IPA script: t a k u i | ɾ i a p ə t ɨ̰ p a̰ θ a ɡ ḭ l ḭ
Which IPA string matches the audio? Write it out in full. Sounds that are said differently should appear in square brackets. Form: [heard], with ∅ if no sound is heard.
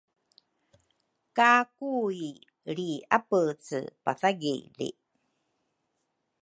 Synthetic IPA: [k] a k u i | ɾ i a p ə [t͡s] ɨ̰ p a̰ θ a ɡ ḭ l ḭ